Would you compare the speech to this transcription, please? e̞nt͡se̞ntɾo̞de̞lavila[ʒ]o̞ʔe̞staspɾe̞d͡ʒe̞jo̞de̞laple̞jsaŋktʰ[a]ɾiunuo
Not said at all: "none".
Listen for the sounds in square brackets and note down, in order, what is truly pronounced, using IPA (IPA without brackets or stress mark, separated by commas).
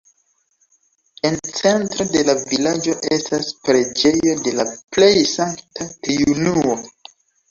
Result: d͡ʒ, a